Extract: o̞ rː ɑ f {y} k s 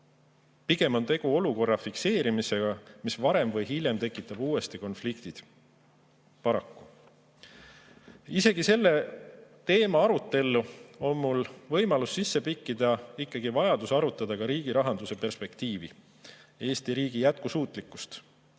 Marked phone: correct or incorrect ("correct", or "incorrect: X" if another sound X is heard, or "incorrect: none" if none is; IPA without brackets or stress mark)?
incorrect: i